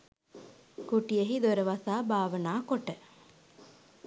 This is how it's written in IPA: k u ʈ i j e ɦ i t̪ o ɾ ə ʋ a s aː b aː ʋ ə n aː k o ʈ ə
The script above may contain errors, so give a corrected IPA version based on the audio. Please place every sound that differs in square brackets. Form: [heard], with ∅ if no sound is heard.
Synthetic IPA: k u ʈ i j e ɦ i [d̪] o ɾ ə ʋ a s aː b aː ʋ ə n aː k o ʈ ə